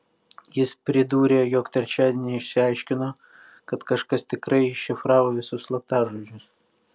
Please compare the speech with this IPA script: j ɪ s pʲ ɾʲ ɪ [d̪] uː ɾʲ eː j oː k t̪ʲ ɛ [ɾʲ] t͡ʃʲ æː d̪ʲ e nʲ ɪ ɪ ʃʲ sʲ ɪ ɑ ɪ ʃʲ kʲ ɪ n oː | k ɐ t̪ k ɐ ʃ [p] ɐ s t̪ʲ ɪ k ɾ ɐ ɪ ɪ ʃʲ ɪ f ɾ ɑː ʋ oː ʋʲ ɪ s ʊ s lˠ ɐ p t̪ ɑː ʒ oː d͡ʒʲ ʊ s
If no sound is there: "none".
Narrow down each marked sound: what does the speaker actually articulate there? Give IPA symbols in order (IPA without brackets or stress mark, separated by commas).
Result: d̪, ɾʲ, k